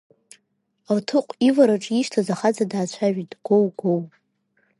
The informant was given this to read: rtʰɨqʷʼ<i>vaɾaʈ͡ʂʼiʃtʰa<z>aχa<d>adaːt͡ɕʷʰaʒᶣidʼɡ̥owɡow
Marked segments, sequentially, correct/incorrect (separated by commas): correct, correct, incorrect